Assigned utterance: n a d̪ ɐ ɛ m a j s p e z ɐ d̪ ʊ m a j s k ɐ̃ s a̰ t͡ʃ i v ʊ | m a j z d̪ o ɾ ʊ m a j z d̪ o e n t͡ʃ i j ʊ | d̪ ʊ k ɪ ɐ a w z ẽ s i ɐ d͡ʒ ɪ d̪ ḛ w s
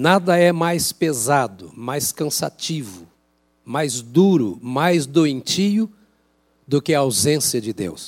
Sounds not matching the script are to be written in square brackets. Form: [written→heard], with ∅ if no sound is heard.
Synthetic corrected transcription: n a d̪ ɐ ɛ m a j s p e z [ɐ→a] d̪ ʊ m a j s k ɐ̃ s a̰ t͡ʃ i v ʊ | m a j z d̪ [o→u] ɾ ʊ m a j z d̪ o [e→ẽ] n t͡ʃ i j ʊ | d̪ ʊ k ɪ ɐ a w z ẽ s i ɐ d͡ʒ ɪ d̪ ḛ w s